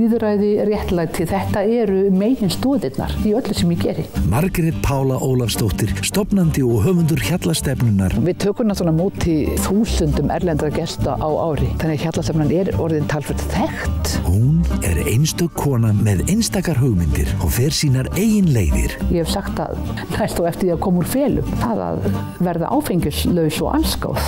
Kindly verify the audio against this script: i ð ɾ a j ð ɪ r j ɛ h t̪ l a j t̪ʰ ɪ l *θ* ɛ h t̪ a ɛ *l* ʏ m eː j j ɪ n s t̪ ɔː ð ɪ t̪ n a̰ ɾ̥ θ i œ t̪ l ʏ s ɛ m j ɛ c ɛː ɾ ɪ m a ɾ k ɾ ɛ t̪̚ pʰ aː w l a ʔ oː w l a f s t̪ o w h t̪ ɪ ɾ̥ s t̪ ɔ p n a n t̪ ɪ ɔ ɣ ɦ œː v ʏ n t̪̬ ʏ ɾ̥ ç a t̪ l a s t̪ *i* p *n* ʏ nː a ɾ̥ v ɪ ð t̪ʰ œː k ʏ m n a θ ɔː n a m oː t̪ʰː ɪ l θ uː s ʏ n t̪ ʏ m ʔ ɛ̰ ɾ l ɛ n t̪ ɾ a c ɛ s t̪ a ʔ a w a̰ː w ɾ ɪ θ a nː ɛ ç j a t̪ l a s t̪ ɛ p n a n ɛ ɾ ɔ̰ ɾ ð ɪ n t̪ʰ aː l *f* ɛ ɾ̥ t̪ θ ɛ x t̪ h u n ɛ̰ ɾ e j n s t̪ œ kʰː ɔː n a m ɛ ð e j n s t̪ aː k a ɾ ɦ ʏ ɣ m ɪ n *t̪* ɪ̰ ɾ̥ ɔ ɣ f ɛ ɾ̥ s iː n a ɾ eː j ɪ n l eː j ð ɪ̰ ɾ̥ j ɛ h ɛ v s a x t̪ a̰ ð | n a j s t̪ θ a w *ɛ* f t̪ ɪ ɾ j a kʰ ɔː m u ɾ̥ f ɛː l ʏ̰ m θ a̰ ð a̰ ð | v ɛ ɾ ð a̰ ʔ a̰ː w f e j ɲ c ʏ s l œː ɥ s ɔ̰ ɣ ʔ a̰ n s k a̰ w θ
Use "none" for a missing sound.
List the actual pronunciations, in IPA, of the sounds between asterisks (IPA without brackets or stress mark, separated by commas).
θ, ɾ, ɛ, n, f, t̪, ɛ